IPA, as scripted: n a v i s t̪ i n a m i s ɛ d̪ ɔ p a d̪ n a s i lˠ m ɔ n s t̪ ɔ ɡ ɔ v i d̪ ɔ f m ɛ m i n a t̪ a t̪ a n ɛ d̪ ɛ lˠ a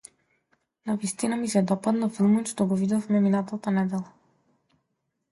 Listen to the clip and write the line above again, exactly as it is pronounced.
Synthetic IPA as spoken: n a v i s t̪ i n a m i s ɛ d̪ ɔ p a d̪ n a f i lˠ m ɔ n ʃ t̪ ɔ ɡ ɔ v i d̪ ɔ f m ɛ m i n a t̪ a t̪ a n ɛ d̪ ɛ lˠ a